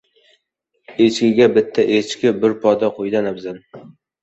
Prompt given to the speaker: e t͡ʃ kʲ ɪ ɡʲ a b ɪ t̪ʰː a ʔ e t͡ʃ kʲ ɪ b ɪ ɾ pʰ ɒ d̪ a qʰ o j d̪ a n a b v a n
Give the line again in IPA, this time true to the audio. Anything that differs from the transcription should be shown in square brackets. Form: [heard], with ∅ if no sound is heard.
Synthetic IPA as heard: e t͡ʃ kʲ ɪ ɡʲ a b ɪ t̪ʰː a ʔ e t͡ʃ kʲ ɪ b ɪ ɾ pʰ ɒ d̪ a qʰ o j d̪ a n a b [z] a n